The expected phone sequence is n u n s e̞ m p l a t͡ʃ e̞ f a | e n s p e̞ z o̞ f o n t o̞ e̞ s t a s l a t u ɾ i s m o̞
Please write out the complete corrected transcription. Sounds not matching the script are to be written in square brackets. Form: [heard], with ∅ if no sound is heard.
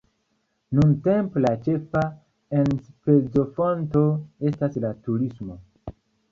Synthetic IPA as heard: n u n [t] e̞ m p l a t͡ʃ e̞ f a | e n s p e̞ z o̞ f o n t o̞ e̞ s t a s l a t u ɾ i s m o̞